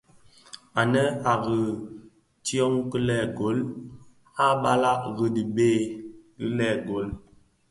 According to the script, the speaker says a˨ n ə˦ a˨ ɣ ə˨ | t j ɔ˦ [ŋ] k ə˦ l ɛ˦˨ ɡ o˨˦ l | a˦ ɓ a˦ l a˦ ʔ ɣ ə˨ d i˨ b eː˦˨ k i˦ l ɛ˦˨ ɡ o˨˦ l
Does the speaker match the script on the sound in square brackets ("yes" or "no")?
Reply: yes